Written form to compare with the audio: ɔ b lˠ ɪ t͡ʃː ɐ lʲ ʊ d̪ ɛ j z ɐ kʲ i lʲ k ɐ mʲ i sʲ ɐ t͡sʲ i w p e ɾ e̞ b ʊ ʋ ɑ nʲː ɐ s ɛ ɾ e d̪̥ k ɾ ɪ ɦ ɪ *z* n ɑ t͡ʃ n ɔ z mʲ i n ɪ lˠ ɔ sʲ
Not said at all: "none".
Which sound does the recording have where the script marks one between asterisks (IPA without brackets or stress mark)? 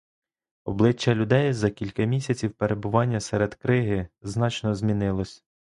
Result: z